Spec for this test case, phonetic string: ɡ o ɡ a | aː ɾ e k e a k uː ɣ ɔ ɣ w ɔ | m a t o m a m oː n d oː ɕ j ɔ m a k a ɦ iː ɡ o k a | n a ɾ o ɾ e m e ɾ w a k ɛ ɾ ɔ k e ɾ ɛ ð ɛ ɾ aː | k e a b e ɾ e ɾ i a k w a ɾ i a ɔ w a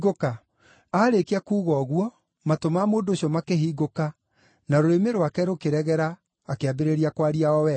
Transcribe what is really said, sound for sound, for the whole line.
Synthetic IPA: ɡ o k a | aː ɾ e k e a k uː ɣ ɔ ɣ w ɔ | m a t o m a m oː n d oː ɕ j ɔ m a k e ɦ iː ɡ o k a | n a ɾ o ɾ e m e ɾ w a k ɛ ɾ o k e ɾ ɛ ɣ ɛ ɾ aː | k e a b e ɾ e ɾ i a k w a ɾ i a ɔ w ɛ